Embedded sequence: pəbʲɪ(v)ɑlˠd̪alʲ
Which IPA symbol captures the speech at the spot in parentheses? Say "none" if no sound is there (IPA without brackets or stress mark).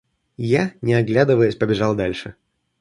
ʐ